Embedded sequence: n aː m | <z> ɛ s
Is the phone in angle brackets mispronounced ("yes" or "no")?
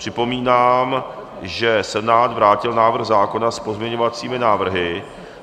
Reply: yes